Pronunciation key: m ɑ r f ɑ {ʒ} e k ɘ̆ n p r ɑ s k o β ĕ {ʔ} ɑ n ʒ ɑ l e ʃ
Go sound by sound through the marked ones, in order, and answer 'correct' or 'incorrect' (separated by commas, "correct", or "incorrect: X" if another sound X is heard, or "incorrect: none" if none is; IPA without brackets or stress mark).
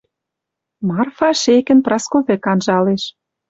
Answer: incorrect: ʃ, incorrect: k